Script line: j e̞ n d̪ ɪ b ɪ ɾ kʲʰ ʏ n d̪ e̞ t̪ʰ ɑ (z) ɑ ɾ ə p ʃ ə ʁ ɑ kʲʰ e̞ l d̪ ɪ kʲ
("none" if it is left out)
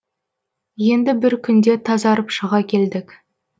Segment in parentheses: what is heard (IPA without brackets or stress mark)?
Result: z